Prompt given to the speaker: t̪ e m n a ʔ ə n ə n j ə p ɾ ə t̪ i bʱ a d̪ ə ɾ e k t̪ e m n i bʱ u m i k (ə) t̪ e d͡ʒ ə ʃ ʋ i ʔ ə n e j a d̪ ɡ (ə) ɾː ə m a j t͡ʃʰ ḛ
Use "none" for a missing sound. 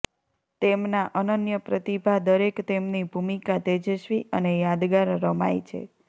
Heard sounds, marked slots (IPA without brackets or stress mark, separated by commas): a, a